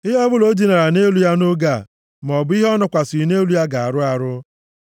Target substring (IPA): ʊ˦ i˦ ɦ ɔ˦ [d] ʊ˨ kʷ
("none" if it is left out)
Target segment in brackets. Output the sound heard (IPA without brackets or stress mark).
n